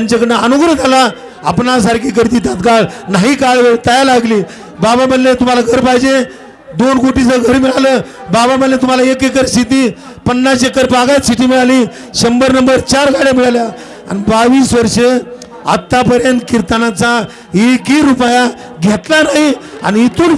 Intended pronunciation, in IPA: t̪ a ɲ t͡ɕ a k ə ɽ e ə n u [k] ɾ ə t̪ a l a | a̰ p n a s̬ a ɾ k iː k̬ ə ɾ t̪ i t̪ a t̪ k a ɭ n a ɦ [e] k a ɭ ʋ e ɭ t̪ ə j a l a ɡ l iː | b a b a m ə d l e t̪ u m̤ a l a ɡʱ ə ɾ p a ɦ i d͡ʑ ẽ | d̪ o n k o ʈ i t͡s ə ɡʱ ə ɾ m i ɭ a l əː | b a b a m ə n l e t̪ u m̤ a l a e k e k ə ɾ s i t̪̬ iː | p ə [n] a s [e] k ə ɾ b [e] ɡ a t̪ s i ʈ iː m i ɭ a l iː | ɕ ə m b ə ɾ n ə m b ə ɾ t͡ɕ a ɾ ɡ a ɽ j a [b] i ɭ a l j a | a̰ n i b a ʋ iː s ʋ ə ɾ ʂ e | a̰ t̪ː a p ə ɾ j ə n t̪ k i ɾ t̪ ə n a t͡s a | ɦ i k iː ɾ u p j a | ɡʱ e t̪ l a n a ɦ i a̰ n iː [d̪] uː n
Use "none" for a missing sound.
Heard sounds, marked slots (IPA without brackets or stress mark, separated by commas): ɡ, i, nː, e, a, m, t̪